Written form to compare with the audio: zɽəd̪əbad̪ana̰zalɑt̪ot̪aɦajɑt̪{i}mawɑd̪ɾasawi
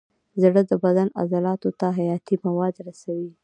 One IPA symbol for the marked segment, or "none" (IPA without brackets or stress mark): i